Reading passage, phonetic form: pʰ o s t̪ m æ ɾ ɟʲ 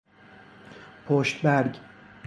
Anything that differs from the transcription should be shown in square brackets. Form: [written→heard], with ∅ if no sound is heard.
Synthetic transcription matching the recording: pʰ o [s→ʃ] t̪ [m→b] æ ɾ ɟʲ